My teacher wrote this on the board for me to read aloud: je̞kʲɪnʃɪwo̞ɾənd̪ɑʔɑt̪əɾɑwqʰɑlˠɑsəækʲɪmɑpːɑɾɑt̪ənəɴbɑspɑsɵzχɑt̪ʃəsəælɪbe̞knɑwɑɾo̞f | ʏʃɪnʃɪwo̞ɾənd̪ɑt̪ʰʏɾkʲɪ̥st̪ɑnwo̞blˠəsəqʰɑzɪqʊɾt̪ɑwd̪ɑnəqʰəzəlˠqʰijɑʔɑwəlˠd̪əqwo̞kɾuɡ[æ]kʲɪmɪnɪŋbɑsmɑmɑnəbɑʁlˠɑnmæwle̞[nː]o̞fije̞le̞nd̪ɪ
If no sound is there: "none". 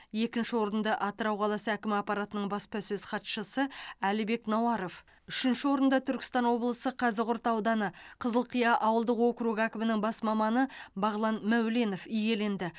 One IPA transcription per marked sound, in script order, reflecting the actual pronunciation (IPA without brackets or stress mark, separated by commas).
æ, n